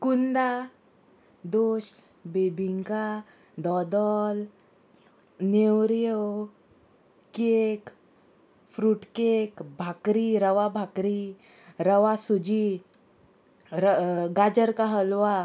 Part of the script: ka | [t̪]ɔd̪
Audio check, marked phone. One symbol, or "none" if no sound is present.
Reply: d̪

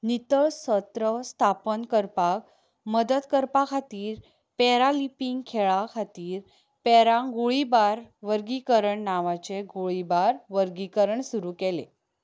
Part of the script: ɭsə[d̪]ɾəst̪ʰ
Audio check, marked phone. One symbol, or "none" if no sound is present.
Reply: t̪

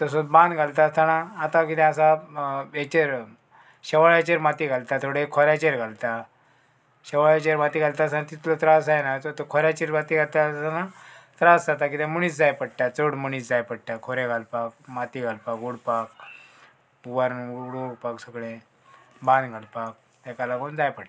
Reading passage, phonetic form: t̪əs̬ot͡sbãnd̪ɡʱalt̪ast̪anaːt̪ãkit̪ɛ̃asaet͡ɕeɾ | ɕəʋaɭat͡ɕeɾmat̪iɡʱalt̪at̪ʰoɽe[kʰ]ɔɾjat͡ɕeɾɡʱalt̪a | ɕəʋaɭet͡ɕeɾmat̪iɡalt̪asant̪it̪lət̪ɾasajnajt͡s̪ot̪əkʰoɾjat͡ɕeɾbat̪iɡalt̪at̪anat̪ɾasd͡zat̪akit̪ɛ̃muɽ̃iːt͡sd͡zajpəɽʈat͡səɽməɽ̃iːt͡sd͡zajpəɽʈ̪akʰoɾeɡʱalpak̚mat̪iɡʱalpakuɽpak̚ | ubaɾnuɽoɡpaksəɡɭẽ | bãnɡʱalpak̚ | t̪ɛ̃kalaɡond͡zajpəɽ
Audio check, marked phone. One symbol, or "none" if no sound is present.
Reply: kʰ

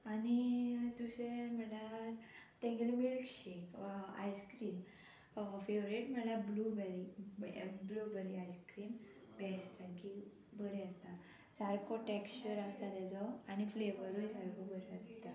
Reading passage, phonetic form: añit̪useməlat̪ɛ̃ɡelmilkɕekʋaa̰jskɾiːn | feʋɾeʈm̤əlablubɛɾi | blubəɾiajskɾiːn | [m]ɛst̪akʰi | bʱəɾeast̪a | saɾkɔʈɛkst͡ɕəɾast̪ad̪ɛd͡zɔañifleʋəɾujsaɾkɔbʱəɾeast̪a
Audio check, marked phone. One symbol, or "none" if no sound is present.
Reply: b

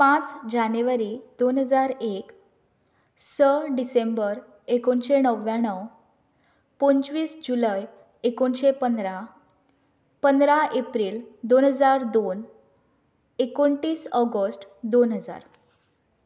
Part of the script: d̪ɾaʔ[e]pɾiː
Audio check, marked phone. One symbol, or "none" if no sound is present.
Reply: e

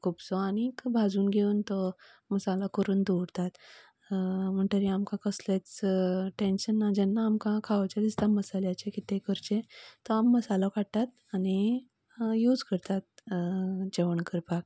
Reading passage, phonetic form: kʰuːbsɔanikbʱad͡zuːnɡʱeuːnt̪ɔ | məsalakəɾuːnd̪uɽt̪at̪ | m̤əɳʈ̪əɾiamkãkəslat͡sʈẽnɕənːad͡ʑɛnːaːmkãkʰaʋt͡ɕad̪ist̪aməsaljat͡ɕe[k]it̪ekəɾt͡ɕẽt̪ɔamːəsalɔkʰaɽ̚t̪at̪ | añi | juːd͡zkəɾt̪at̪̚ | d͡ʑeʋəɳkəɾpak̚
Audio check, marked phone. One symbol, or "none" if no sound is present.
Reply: k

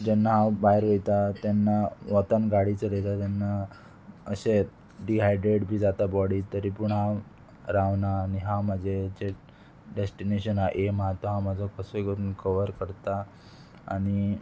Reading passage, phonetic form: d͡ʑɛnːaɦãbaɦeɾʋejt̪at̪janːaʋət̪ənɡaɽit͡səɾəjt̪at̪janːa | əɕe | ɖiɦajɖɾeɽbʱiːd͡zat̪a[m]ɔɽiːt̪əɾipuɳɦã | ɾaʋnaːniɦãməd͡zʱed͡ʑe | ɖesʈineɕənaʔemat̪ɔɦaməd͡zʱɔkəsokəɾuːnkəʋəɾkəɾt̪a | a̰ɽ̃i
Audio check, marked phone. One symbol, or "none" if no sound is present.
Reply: b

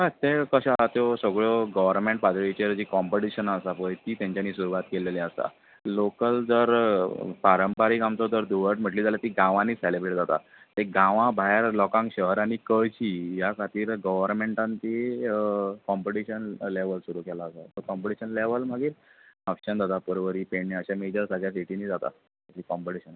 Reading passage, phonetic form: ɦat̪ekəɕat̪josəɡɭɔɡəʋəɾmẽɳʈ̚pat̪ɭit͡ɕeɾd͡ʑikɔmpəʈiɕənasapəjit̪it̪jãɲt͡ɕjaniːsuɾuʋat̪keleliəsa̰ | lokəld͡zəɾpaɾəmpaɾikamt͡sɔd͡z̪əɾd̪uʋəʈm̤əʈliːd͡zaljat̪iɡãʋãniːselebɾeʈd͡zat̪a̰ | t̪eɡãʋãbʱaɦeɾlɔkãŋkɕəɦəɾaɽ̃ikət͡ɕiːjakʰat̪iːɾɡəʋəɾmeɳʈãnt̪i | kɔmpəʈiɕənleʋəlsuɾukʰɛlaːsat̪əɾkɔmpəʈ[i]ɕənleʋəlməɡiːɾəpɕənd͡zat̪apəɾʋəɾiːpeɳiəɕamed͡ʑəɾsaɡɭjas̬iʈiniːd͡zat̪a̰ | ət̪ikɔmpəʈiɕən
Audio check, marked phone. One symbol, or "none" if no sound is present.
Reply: i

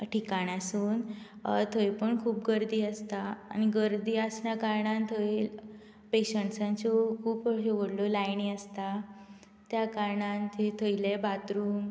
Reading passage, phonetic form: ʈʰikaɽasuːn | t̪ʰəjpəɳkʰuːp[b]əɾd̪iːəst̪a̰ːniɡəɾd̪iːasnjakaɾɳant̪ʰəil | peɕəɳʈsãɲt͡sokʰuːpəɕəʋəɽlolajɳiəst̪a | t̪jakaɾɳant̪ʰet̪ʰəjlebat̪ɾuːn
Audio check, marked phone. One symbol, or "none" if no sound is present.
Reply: ɡ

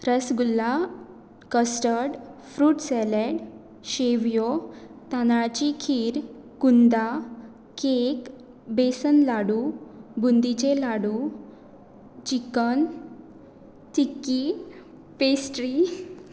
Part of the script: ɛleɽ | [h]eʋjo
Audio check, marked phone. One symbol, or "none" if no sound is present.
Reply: ɕ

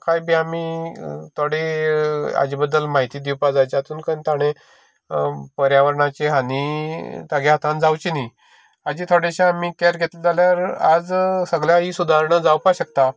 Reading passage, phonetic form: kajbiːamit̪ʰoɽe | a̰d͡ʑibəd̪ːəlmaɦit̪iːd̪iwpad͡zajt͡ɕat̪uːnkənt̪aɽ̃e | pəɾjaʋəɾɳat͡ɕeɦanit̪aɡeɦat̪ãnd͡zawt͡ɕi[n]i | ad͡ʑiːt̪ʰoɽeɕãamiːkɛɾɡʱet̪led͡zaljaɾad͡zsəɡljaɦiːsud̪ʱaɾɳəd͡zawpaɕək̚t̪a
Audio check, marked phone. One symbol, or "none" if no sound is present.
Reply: n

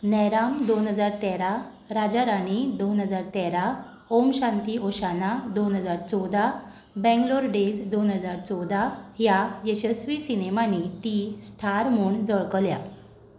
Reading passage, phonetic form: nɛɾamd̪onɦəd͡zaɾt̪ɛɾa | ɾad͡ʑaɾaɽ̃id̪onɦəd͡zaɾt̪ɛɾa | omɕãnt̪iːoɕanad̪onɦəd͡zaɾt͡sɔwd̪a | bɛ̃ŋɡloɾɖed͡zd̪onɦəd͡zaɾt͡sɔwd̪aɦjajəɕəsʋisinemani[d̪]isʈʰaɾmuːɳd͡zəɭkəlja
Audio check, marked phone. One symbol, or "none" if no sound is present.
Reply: t̪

